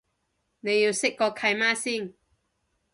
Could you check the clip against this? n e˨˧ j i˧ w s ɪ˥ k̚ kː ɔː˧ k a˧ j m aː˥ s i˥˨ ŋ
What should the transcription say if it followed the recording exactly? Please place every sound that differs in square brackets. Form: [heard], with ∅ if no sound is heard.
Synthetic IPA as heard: n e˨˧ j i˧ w s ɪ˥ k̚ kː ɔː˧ [kʰ] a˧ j m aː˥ s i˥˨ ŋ

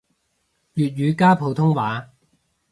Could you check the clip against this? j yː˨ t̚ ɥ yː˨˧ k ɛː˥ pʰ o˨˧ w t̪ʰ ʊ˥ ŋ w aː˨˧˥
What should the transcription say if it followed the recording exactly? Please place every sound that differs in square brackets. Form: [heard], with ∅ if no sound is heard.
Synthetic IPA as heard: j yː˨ t̚ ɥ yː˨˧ k [aː˥] pʰ o˨˧ w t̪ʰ ʊ˥ ŋ w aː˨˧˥

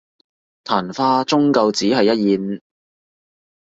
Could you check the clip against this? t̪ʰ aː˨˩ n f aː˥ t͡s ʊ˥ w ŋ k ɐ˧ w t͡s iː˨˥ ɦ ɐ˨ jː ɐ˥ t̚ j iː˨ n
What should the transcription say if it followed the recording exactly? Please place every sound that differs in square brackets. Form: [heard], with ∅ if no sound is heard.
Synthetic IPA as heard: t̪ʰ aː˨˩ n f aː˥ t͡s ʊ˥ [∅] ŋ k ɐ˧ w t͡s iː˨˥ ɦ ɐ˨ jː ɐ˥ t̚ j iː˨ n

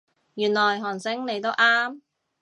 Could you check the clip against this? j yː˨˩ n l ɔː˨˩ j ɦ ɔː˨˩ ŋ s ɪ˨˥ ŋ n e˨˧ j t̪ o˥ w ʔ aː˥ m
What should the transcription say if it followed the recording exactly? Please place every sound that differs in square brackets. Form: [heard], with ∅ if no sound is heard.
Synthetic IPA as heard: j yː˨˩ n l ɔː˨˩ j ɦ ɔː˨˩ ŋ s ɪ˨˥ ŋ n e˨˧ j t̪ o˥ w ʔ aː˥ m

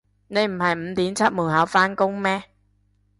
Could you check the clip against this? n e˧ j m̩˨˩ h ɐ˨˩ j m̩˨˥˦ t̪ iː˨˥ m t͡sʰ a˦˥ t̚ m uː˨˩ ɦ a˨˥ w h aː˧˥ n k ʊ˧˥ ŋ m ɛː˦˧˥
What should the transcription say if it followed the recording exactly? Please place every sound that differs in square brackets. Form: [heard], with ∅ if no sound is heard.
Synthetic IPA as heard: n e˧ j m̩˨˩ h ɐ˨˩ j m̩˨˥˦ t̪ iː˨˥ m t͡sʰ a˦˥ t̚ m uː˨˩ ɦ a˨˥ w [f] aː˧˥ n k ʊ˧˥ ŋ m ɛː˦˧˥

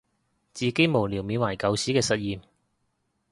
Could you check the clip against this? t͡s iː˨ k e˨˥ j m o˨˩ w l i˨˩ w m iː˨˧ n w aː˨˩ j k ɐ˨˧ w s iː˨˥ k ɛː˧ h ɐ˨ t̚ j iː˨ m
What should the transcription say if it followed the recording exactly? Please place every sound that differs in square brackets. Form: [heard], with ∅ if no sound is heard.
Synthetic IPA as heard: t͡s iː˨ k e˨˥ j m o˨˩ w l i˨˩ w m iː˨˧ n w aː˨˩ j k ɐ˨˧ w s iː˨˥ k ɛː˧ [s] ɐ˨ t̚ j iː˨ m

